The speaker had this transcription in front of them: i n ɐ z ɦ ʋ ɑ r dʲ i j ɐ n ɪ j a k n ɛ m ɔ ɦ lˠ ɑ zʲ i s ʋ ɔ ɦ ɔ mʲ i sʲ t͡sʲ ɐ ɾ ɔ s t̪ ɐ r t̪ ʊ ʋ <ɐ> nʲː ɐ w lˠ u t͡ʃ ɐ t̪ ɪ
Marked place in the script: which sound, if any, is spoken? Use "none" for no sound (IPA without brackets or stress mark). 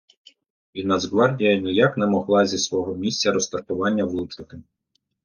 ɑ